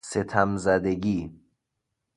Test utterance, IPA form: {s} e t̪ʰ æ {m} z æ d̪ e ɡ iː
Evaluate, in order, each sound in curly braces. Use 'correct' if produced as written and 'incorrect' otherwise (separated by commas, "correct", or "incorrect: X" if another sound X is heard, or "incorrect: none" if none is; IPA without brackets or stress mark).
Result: correct, correct